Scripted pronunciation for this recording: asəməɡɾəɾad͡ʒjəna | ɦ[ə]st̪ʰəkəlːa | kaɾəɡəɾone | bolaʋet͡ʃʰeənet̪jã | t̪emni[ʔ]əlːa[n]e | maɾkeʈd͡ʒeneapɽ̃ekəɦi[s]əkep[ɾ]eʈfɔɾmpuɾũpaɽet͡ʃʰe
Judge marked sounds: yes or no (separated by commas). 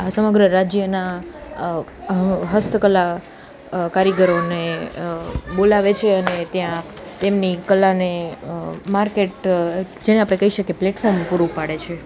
yes, no, yes, no, no